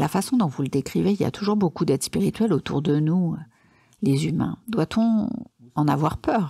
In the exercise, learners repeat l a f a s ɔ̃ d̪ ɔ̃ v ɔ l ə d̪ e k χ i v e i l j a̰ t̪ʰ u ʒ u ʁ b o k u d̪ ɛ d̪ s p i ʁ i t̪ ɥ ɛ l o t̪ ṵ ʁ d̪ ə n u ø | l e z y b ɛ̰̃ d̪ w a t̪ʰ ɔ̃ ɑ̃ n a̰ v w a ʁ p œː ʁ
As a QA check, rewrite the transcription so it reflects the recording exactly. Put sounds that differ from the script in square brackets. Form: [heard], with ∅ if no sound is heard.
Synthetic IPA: l a f a s ɔ̃ d̪ ɔ̃ v [u] l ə d̪ e k χ i v e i l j a̰ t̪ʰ u ʒ u ʁ b o k u d̪ ɛ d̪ s p i ʁ i t̪ ɥ ɛ l o t̪ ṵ ʁ d̪ ə n u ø | l e z y [m] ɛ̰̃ d̪ w a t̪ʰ ɔ̃ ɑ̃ n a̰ v w a ʁ p œː ʁ